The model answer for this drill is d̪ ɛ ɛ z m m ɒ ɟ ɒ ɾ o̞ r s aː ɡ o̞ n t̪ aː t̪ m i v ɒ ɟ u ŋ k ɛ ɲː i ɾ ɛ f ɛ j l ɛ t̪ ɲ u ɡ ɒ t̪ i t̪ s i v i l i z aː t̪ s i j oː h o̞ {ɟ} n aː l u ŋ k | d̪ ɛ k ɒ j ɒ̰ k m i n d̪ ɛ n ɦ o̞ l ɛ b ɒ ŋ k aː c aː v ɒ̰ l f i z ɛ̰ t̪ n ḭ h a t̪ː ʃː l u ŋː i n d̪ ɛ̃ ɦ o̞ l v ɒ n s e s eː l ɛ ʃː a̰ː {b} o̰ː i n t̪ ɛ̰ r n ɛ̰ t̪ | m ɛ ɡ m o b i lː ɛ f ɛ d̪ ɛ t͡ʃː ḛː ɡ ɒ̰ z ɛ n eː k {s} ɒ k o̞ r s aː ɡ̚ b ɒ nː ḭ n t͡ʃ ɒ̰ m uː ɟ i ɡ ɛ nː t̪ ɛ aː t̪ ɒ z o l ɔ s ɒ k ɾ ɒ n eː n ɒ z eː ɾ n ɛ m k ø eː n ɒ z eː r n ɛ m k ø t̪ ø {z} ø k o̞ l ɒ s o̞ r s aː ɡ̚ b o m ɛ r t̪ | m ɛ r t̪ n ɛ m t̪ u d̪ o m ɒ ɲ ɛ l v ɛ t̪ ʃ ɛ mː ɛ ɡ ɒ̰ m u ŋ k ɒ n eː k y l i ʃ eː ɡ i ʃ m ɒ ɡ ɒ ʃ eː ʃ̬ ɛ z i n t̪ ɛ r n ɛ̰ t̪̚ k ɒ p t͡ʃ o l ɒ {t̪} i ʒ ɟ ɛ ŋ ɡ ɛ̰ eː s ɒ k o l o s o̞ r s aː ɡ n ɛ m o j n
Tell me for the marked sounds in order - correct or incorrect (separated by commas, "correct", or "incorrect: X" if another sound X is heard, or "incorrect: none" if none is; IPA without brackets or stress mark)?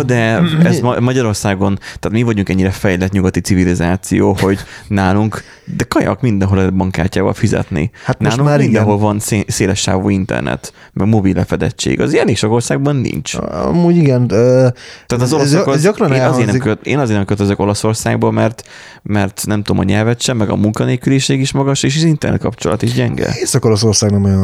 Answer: correct, incorrect: v, incorrect: ʃ, correct, correct